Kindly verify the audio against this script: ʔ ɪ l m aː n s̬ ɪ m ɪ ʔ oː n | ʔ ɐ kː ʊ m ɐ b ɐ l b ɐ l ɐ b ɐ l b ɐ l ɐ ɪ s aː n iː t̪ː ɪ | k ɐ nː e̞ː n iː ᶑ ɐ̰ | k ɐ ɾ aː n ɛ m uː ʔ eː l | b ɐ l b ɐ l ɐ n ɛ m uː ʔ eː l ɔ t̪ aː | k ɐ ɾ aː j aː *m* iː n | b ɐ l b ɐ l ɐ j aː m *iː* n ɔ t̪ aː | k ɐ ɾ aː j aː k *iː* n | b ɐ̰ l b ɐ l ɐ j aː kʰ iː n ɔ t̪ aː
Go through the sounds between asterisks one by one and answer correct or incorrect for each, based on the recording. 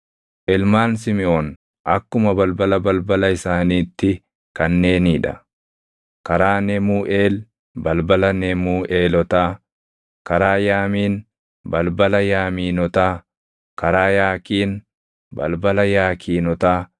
correct, correct, correct

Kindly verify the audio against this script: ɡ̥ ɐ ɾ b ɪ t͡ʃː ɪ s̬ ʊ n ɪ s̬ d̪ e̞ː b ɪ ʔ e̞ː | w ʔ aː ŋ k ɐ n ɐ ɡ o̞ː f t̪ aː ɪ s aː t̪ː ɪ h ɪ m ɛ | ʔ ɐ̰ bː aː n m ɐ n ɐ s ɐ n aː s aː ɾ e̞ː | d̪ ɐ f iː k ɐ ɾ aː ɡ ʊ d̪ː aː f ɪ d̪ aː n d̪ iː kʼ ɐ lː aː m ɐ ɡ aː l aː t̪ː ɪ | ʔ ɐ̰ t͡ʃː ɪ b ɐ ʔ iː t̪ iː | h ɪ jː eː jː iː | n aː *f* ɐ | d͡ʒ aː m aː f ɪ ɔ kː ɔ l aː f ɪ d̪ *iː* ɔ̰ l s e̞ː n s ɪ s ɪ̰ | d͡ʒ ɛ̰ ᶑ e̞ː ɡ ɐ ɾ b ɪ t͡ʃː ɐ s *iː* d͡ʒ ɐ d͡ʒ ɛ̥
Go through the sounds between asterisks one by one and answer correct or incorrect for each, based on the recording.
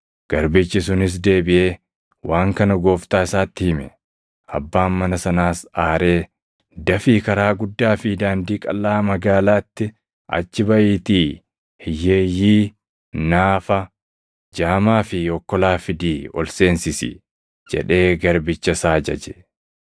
correct, correct, incorrect

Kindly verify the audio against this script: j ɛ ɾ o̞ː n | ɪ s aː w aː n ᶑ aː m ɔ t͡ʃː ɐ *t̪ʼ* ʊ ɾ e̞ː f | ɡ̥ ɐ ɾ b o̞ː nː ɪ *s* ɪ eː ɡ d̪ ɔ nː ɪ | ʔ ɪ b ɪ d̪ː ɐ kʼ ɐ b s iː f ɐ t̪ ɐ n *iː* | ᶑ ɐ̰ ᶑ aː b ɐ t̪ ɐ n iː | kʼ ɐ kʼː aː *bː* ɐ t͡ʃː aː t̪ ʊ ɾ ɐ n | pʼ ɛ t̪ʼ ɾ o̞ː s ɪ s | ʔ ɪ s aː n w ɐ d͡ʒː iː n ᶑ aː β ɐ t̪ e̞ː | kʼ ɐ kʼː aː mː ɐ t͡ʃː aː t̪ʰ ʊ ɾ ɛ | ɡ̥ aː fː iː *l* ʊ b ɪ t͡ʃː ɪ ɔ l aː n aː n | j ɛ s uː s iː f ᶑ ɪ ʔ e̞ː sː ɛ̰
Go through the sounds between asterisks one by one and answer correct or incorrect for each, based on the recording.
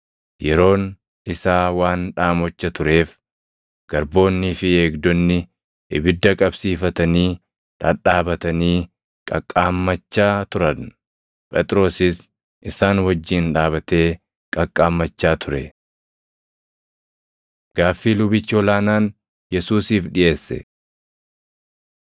incorrect, incorrect, correct, incorrect, correct

